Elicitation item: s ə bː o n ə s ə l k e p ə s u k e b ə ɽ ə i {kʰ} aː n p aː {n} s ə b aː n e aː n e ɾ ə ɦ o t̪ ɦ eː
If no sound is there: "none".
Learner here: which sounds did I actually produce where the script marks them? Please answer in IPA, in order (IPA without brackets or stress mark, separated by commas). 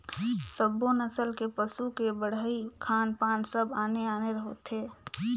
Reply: kʰ, n